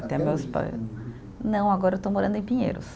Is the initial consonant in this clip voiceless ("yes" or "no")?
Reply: yes